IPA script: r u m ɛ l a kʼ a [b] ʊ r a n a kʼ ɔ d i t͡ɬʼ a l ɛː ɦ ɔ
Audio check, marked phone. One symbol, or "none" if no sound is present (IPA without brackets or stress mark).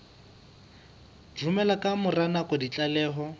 m